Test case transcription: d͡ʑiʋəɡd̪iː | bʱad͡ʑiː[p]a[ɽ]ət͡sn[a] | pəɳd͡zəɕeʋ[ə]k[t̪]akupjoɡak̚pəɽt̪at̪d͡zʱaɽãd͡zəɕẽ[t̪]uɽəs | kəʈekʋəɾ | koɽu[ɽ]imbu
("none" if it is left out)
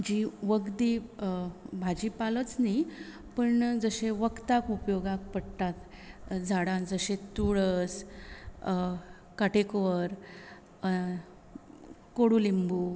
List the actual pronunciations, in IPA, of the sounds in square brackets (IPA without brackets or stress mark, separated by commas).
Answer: p, l, i, ə, t̪, t̪, l